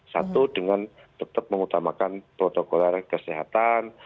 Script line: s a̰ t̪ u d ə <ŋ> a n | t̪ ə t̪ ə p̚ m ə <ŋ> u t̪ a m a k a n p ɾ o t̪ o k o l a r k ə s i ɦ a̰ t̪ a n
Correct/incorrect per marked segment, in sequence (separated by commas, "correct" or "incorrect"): correct, correct